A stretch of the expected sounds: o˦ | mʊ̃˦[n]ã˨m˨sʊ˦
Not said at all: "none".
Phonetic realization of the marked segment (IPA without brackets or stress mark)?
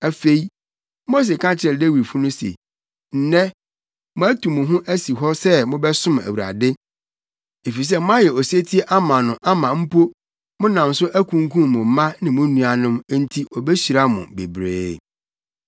n